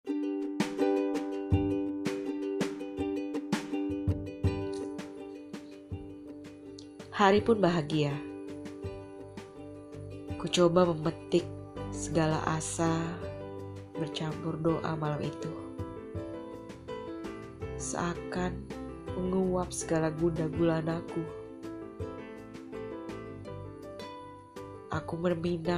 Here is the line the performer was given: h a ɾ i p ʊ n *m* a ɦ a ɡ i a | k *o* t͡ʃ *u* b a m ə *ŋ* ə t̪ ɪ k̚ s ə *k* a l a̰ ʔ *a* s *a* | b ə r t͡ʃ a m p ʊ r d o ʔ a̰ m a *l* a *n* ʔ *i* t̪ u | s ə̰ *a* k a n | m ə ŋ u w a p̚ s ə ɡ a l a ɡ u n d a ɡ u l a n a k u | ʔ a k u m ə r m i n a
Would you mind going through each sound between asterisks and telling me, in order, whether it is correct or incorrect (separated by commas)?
incorrect, incorrect, incorrect, incorrect, incorrect, correct, correct, correct, incorrect, correct, correct